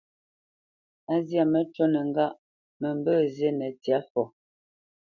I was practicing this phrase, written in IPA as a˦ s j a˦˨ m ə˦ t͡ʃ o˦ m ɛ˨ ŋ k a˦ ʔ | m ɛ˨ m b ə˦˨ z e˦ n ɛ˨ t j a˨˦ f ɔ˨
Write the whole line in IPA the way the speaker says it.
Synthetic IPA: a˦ z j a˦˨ m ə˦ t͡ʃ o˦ n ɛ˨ ŋ ɡ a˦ ʔ | m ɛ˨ m b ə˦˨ z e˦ n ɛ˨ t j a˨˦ f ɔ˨